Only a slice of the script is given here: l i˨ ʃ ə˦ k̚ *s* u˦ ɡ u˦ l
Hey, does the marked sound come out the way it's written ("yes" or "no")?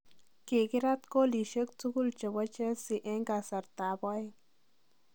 no